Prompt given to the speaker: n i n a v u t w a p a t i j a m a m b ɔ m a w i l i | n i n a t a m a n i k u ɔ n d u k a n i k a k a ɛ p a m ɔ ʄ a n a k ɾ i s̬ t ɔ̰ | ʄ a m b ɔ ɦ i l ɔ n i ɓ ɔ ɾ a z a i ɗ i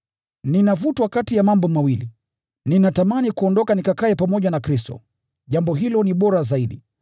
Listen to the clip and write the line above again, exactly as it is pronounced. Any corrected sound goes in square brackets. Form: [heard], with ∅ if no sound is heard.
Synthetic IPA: n i n a v u t w a [k] a t i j a m a m b ɔ m a w i l i | n i n a t a m a n i k u ɔ n d [ɔ] k a n i k a k a ɛ p a m ɔ ʄ a n a k ɾ i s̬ t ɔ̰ | ʄ a m b ɔ ɦ i l ɔ n i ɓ ɔ ɾ a z a i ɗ i